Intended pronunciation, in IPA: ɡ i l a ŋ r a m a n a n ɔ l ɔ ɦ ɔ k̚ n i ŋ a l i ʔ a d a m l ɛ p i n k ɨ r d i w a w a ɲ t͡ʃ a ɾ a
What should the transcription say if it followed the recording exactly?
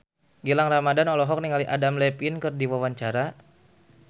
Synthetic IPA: ɡ i l a ŋ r a m a d a n ɔ l ɔ ɦ ɔ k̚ n i ŋ a l i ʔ a d a m l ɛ p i n k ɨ r d i w a w a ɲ t͡ʃ a ɾ a

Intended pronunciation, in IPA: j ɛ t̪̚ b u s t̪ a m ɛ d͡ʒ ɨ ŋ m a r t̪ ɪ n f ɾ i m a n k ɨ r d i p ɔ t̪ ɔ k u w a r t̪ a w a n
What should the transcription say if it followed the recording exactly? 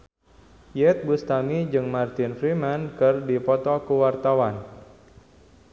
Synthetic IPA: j ɛ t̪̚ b u s t̪ a m i d͡ʒ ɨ ŋ m a r t̪ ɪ n f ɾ i m a n k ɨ r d i p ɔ t̪ ɔ k u w a r t̪ a w a n

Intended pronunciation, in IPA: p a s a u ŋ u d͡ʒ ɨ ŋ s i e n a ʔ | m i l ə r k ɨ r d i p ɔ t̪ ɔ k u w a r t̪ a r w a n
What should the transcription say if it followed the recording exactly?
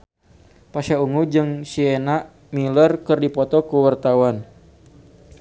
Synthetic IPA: p a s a u ŋ u d͡ʒ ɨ ŋ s i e n a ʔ | m i l ə r k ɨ r d i p ɔ t̪ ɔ k u w a r t̪ a w a n

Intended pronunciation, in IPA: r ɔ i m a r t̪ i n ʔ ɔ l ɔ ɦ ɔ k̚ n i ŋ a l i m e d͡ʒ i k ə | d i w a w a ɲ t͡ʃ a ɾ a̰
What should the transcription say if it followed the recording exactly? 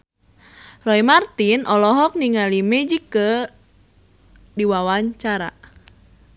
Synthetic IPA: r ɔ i m a r t̪ i n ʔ ɔ l ɔ ɦ ɔ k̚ n i ŋ a l i m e d͡ʒ i k ə | d i w a w a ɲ t͡ʃ a ɾ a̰

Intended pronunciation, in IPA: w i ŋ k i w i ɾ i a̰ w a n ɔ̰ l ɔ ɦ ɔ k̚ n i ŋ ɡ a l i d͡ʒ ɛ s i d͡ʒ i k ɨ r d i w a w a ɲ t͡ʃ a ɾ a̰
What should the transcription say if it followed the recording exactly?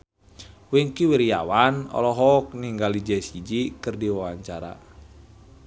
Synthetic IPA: w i ŋ k i w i ɾ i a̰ w a n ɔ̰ l ɔ ɦ ɔ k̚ n i ŋ ɡ a l i d͡ʒ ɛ s i d͡ʒ i k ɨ r d i w a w a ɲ t͡ʃ a ɾ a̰

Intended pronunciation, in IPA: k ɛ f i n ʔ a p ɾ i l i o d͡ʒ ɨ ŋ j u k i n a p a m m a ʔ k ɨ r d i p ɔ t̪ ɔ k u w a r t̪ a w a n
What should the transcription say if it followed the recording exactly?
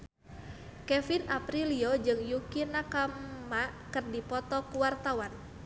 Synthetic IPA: k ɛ f i n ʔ a p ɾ i l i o d͡ʒ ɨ ŋ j u k i n a k a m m a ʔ k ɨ r d i p ɔ t̪ ɔ k u w a r t̪ a w a n

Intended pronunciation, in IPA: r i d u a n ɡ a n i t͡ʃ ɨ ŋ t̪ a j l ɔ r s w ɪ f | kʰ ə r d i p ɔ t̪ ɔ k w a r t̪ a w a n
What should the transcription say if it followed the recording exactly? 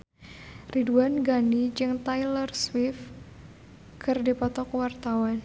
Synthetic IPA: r i d u a n ɡ a n i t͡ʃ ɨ ŋ t̪ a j l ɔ r s w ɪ f | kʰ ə r d i p ɔ t̪ ɔ k w a r t̪ a w a n

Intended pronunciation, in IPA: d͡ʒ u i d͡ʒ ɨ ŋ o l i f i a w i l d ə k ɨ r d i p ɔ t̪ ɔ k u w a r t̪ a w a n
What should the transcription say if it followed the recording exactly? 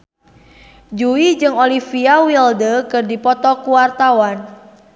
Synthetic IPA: d͡ʒ u i d͡ʒ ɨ ŋ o l i f i a w i l d ə k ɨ r d i p ɔ t̪ ɔ k u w a r t̪ a w a n

